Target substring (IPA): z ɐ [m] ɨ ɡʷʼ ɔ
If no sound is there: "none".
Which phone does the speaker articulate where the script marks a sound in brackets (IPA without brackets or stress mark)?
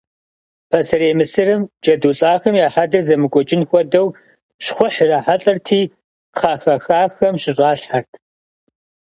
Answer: m